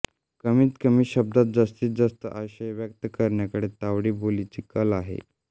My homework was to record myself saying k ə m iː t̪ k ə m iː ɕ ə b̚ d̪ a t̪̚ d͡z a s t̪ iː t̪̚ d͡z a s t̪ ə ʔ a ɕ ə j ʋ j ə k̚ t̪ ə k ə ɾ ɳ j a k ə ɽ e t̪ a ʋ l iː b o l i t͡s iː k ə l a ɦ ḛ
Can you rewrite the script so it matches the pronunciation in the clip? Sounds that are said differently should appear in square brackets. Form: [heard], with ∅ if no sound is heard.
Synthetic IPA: k ə m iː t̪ k ə m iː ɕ ə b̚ d̪ a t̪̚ d͡z a s t̪ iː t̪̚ d͡z a s t̪ ə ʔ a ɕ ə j ʋ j ə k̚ t̪ ə k ə ɾ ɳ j a k ə ɽ e t̪ a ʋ [ɽ] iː b o l i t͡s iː k ə l a ɦ ḛ